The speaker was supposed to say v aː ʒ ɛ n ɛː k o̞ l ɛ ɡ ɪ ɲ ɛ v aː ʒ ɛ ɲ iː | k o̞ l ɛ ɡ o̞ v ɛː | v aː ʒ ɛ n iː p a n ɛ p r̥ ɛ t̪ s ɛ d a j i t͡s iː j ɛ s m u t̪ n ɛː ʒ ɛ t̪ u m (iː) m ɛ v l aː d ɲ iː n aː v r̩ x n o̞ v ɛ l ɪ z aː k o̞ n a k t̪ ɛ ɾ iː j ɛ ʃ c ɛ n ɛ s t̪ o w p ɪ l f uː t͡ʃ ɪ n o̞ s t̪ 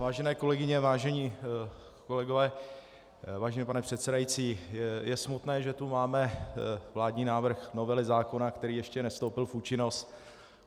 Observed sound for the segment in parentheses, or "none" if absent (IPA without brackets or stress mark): aː